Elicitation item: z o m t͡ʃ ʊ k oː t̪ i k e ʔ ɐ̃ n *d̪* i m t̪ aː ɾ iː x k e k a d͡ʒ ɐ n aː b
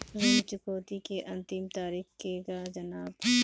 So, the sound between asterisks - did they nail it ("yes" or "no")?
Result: no